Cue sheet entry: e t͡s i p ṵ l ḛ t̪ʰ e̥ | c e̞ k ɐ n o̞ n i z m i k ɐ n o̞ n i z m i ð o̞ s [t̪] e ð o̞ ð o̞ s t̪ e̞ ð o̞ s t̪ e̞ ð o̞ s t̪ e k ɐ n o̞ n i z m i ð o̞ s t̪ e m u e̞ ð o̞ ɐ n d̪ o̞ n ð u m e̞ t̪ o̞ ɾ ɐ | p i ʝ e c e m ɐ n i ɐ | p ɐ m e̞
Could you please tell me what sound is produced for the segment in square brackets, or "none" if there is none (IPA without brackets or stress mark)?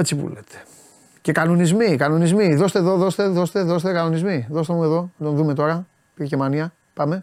t̪